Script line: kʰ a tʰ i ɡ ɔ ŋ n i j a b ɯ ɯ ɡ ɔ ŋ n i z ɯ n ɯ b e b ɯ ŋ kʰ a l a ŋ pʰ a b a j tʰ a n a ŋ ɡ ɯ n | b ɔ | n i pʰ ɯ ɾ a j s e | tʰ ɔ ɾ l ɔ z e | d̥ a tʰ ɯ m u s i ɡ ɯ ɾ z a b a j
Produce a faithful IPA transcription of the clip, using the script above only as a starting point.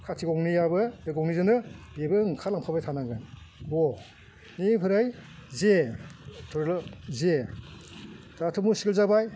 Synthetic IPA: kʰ a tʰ i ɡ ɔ ŋ n i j a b ɯ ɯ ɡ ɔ ŋ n i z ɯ n ɯ b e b ɯ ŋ kʰ a l a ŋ pʰ a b a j tʰ a n a ŋ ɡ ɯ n | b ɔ | n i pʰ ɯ ɾ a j z e | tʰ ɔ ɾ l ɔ z e | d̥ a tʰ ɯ m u s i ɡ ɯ l z a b a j